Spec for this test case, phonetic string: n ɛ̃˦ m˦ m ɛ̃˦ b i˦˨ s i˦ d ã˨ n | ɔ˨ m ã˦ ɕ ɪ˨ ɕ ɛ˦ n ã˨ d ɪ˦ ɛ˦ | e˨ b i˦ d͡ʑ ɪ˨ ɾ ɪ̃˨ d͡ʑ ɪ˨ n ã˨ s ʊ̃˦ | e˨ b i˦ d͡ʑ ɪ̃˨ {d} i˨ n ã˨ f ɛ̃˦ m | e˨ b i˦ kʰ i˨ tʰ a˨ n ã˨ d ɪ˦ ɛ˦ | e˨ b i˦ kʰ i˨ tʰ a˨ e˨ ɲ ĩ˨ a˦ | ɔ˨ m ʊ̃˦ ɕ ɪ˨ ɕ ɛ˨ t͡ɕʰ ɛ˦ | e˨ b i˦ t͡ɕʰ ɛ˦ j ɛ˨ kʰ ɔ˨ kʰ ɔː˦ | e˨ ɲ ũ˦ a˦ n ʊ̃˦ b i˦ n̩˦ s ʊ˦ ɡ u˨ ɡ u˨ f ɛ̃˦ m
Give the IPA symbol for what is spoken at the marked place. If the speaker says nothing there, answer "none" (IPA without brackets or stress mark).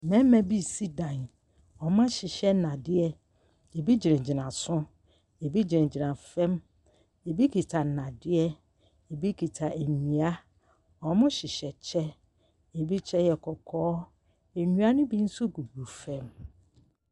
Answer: d͡ʑ